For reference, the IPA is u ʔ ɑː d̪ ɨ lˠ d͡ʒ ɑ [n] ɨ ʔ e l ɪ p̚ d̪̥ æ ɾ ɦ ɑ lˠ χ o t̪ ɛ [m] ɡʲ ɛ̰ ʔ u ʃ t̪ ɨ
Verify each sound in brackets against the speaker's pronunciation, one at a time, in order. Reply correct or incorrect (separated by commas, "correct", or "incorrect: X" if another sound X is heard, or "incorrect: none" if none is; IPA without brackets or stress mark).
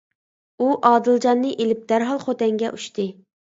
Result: incorrect: nː, incorrect: ŋ